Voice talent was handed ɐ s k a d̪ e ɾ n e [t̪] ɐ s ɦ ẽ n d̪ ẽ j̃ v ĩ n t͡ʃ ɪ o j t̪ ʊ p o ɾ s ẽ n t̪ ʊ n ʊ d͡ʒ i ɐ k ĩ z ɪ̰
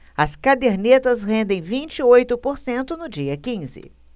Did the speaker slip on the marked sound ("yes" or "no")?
no